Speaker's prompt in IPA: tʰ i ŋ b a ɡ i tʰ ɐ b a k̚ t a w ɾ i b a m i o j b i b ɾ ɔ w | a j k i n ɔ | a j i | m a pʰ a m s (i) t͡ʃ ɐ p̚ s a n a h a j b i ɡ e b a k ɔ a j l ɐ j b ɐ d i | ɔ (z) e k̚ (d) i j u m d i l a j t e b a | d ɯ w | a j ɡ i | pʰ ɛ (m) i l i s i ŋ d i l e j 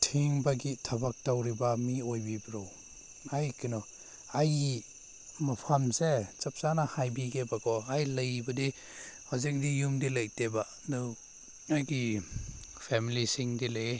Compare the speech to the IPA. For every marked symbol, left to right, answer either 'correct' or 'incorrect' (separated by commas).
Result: incorrect, correct, correct, correct